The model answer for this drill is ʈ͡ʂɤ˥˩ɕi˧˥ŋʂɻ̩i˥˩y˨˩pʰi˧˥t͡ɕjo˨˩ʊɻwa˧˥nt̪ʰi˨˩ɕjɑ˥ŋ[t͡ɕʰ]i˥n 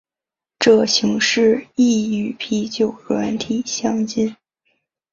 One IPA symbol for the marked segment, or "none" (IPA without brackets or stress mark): t͡ɕ